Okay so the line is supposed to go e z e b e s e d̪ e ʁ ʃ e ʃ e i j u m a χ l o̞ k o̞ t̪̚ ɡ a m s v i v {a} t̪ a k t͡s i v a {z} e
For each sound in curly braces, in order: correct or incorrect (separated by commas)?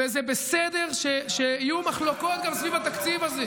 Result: correct, correct